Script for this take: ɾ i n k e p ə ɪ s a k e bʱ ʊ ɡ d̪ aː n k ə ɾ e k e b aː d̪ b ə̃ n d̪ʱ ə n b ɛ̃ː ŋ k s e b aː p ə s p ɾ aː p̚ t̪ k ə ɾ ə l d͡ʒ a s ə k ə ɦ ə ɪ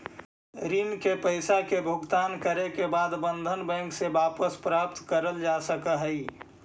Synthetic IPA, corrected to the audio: ɾ i n k e p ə ɪ s a k e bʱ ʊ ɡ t̪ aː n k ə ɾ e k e b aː d̪ b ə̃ n d̪ʱ ə n b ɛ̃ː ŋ k s e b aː p ə s p ɾ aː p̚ t̪ k ə ɾ ə l d͡ʒ a s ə k ə ɦ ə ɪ